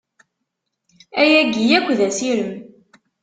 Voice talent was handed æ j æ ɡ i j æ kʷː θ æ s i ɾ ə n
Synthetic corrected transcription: æ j æ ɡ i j æ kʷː ð æ s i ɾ ə m